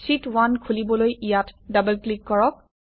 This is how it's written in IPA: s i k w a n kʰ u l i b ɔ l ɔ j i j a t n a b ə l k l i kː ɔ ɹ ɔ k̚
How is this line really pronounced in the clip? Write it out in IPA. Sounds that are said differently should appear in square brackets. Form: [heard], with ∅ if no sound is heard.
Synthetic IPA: s i [t] w a n kʰ u l i b ɔ l [o] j i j a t [d] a b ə l k l i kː ɔ ɹ ɔ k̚